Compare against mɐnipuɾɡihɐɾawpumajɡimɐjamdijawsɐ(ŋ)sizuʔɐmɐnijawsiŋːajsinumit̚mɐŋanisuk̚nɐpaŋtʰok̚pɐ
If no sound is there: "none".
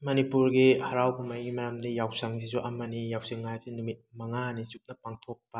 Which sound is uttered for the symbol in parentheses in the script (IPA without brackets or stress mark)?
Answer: ŋ